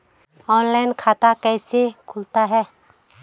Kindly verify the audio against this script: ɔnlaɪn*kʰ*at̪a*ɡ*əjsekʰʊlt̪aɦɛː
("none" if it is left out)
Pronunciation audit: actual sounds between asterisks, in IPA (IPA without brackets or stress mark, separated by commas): kʰ, k